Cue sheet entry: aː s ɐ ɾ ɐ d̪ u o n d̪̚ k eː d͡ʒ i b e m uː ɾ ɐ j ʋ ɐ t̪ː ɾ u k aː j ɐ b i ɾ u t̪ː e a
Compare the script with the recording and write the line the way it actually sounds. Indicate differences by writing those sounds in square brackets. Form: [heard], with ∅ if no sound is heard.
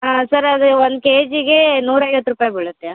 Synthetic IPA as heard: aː s ɐ ɾ ɐ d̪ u o n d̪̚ k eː d͡ʒ i [ɡ] e [n] uː ɾ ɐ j ʋ ɐ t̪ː ɾ u [p] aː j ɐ b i [ɭ] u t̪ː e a